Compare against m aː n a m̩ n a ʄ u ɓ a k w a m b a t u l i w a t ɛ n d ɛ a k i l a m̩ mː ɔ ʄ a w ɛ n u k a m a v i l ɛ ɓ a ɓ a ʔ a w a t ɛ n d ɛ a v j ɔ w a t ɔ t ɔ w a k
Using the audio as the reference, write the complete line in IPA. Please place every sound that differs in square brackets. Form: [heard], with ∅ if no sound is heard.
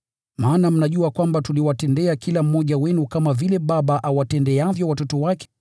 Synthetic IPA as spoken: m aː n a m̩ n a ʄ u [∅] a k w a m b a t u l i w a t ɛ n d ɛ a k i l a m̩ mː ɔ ʄ a w ɛ n u k a m a v i l ɛ ɓ a ɓ a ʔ a w a t ɛ n d ɛ a v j ɔ w a t ɔ t ɔ w a k